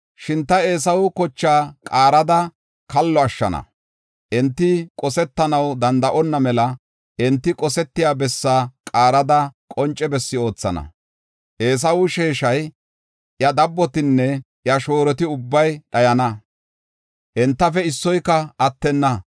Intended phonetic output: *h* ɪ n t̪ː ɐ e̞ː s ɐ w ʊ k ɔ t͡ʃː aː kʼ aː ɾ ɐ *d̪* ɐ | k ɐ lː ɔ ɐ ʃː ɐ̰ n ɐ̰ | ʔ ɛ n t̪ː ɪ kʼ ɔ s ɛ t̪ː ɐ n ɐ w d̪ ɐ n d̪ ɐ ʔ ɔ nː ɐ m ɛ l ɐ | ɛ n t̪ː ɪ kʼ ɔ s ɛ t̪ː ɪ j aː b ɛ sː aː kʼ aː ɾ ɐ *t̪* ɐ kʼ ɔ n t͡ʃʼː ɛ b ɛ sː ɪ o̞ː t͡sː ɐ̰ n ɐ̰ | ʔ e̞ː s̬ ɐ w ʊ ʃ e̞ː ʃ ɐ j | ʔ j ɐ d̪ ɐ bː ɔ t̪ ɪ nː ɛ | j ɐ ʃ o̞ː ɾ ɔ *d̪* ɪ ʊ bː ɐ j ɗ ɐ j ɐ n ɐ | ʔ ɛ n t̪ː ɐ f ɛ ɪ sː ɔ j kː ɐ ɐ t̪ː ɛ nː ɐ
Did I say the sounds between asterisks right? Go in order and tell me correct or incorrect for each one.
incorrect, correct, incorrect, incorrect

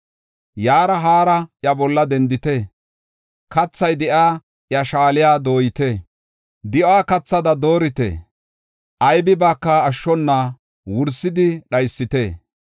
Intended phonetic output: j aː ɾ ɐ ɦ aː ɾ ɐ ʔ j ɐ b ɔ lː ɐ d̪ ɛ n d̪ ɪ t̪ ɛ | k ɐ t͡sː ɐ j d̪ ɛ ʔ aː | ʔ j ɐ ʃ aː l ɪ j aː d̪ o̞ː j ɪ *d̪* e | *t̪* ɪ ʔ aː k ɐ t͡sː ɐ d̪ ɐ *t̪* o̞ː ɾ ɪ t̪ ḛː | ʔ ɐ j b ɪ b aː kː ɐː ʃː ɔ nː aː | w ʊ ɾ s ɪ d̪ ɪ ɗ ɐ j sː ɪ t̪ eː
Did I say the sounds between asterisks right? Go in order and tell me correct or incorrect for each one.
incorrect, incorrect, incorrect

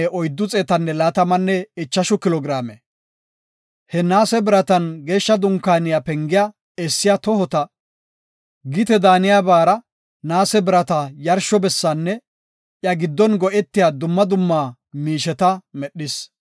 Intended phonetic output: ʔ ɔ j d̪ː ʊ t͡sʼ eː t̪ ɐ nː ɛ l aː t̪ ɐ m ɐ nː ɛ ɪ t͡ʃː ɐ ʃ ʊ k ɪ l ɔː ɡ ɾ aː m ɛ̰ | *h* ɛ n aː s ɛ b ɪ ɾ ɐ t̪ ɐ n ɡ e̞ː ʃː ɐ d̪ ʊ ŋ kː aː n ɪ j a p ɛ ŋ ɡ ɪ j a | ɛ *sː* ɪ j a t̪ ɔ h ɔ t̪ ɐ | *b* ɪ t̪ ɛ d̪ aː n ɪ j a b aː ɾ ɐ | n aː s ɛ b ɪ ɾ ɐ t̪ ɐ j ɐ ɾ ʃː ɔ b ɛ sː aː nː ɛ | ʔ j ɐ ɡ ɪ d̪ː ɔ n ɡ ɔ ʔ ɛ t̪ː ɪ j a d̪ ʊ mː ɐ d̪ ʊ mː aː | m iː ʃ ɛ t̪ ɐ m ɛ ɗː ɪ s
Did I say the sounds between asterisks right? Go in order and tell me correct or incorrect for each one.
correct, correct, incorrect

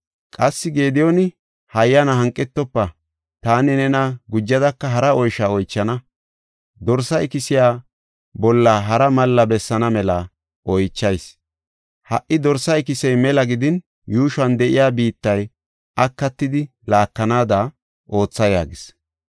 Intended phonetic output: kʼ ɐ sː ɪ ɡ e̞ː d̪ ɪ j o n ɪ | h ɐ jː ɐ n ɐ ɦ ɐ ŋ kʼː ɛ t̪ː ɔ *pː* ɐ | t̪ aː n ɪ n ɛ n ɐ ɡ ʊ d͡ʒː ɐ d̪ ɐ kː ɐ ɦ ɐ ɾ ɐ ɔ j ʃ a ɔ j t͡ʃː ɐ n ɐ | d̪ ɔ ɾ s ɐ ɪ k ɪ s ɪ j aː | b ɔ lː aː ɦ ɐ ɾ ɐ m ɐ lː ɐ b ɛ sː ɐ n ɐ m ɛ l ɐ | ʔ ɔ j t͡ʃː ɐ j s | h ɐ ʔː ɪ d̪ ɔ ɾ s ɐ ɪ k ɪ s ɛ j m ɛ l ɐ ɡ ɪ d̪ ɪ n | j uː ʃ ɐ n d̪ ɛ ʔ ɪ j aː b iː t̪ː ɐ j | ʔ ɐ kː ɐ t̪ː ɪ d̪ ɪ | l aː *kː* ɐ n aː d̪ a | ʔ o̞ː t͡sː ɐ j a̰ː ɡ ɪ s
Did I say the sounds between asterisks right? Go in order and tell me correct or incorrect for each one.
correct, correct

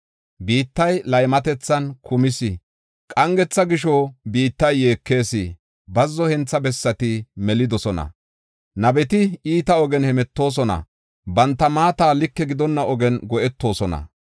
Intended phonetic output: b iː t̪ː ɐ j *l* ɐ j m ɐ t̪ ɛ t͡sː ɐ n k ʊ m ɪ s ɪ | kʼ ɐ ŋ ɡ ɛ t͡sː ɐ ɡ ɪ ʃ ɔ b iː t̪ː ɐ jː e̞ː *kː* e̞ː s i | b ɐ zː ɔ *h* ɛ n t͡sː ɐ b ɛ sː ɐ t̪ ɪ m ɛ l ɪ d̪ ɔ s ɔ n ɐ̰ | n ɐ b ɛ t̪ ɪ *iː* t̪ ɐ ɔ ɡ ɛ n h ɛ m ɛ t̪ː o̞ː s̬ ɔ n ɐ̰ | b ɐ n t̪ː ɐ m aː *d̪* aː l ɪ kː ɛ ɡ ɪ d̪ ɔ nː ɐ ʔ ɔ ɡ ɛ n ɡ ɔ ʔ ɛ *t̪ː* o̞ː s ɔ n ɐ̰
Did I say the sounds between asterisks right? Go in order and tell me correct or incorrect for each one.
correct, correct, correct, correct, incorrect, correct

